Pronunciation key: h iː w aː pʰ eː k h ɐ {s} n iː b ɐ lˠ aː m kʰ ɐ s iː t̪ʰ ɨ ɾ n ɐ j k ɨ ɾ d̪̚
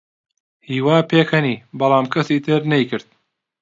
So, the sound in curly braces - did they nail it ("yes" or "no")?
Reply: no